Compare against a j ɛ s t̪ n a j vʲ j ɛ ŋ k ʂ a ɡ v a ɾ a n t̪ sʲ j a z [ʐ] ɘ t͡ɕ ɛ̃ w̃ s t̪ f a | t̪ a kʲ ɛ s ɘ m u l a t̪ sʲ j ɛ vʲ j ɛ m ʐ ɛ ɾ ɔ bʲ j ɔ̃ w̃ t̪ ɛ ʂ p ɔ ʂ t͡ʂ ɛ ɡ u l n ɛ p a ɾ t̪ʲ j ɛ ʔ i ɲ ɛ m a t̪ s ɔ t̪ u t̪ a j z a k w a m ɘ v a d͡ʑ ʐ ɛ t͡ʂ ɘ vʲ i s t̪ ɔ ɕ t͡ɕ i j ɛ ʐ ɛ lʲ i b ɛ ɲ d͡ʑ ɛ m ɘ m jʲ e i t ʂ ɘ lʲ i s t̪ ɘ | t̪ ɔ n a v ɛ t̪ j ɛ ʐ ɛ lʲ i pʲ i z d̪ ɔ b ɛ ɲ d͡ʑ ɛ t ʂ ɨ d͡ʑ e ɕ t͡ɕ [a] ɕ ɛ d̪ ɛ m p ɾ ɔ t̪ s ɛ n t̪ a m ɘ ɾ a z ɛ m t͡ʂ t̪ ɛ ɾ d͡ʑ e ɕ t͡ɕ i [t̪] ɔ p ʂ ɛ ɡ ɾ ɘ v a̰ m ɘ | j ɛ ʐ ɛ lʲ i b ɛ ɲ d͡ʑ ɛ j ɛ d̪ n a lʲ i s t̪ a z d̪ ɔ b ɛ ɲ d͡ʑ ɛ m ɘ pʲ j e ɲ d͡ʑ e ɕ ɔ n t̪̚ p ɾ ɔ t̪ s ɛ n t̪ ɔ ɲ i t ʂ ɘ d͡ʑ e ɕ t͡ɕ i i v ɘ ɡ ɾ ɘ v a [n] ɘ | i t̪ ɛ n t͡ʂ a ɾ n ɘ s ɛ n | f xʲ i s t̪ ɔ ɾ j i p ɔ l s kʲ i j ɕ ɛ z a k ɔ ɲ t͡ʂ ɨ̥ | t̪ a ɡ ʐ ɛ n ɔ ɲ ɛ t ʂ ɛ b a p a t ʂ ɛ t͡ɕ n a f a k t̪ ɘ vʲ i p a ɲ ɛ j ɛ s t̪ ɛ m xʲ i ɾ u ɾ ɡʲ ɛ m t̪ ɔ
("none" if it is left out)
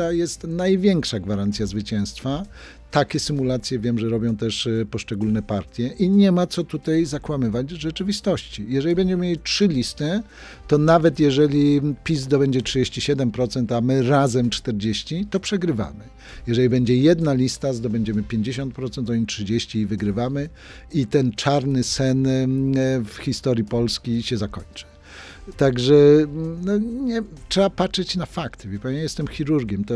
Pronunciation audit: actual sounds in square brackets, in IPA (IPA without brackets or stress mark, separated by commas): v, i, t̪, m